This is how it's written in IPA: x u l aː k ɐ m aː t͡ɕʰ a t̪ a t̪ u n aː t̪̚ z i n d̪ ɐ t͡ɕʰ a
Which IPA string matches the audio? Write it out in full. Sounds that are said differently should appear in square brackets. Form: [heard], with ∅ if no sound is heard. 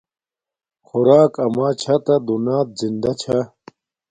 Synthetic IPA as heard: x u [ɾ] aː k ɐ m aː t͡ɕʰ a t̪ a [d̪] u n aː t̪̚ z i n d̪ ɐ t͡ɕʰ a